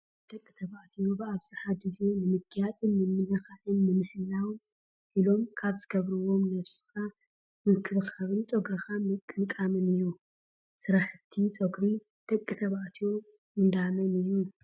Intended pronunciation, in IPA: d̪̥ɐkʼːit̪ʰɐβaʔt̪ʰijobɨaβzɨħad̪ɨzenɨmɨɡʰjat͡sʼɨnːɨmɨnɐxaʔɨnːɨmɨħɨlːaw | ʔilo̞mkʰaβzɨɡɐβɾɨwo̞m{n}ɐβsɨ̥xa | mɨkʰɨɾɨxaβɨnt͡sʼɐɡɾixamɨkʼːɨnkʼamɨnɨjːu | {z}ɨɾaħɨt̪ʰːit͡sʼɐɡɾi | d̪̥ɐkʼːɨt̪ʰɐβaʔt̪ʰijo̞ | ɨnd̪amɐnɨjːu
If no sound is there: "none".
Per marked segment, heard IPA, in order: n, s

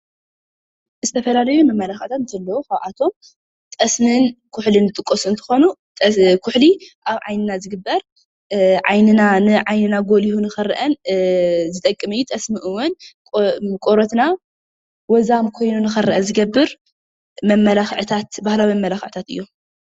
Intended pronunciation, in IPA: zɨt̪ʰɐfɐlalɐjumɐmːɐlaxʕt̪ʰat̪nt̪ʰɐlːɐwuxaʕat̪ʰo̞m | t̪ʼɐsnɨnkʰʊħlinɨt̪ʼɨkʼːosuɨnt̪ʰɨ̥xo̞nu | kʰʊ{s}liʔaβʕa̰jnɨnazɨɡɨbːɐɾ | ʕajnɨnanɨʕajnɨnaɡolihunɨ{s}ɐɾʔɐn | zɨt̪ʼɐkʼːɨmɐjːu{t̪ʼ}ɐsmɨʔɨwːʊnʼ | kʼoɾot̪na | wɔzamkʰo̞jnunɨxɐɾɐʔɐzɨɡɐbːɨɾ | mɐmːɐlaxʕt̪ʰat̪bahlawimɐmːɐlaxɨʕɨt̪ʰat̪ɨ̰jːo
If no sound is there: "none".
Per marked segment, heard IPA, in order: ħ, x, t̪ʼ

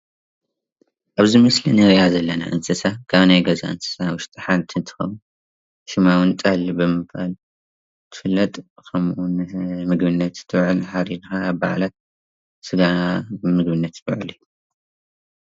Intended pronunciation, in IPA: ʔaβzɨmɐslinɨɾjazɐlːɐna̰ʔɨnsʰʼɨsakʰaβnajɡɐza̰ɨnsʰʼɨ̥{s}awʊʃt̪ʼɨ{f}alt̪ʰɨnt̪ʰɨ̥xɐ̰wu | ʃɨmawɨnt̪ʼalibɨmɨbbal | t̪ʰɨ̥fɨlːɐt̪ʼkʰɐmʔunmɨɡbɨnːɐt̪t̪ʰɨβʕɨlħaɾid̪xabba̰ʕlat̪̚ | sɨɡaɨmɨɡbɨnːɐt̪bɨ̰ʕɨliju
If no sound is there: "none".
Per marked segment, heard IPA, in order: s, ħ

